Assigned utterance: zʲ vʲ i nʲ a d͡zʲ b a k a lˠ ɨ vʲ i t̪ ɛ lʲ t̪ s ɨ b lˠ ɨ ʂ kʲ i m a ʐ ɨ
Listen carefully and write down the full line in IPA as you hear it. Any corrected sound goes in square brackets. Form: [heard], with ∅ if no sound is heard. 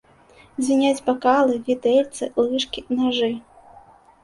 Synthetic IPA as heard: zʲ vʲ i nʲ a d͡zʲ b a k a lˠ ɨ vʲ i t̪ ɛ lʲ t̪ s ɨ [∅] lˠ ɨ ʂ kʲ i [n] a ʐ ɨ